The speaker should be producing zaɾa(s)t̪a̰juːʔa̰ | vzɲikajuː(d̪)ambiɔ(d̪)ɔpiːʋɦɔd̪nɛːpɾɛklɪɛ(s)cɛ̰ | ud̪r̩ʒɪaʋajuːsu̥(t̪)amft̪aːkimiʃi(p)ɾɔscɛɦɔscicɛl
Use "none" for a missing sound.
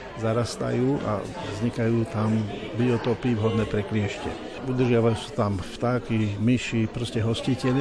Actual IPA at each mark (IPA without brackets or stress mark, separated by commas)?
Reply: s, t̪, t̪, ʃ, t̪, p